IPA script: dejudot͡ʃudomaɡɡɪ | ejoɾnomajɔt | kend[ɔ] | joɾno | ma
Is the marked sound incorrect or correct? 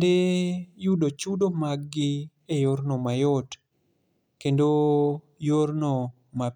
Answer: incorrect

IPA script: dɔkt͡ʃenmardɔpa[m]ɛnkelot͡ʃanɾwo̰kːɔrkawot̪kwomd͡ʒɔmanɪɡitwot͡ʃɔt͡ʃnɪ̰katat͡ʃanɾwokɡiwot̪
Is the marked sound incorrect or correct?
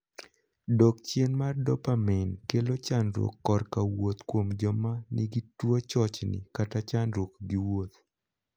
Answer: correct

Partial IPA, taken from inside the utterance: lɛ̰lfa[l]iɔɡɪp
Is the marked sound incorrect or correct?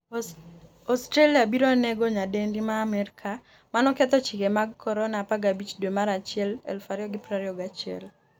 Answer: incorrect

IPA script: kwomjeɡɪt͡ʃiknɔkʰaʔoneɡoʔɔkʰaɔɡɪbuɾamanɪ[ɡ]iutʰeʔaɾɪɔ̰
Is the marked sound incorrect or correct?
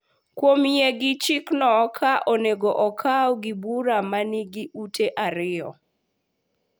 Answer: correct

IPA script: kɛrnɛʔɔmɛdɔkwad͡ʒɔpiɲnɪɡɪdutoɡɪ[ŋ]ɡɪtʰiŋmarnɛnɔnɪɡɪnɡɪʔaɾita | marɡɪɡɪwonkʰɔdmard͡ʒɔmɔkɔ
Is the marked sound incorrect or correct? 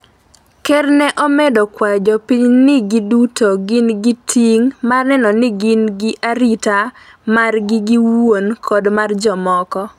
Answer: incorrect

